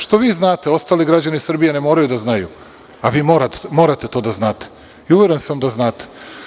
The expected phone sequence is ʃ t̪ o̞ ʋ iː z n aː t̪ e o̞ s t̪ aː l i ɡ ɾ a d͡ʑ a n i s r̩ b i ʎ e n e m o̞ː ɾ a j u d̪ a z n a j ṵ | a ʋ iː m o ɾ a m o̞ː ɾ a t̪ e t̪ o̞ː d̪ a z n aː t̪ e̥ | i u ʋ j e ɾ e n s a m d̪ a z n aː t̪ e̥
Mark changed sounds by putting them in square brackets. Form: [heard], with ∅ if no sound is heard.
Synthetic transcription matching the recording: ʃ t̪ o̞ ʋ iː z n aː t̪ e o̞ s t̪ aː l i ɡ ɾ a d͡ʑ a n i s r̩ b i [j] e n e m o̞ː ɾ a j u d̪ a z n a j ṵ | a ʋ iː m o ɾ a m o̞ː ɾ a t̪ e t̪ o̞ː d̪ a z n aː t̪ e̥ | i u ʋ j e ɾ e n s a m d̪ a z n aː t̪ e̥